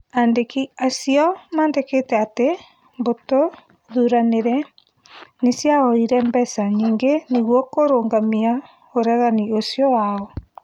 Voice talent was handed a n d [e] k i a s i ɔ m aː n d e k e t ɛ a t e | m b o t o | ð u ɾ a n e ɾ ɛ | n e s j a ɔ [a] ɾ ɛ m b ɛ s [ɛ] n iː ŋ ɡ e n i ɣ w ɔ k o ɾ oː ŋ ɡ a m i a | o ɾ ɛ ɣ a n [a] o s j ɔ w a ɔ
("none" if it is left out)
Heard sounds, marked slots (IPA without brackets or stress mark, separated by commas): e, i, a, i